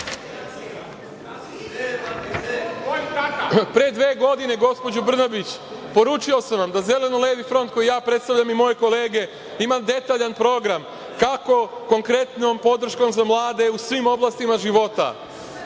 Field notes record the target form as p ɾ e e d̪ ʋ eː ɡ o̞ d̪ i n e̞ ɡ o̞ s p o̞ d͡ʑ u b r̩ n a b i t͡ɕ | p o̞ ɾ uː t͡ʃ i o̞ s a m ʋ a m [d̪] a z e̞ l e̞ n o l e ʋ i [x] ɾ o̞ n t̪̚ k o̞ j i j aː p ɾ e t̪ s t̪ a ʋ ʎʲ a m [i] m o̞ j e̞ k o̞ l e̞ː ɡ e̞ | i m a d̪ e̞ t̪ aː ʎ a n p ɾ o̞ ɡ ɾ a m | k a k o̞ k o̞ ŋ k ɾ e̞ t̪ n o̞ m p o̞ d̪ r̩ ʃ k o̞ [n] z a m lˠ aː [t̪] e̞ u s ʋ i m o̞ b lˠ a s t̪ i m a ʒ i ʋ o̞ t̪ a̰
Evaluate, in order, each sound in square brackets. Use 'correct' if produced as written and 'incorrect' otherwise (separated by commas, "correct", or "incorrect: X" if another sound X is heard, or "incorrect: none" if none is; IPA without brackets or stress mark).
correct, incorrect: f, correct, incorrect: m, incorrect: d̪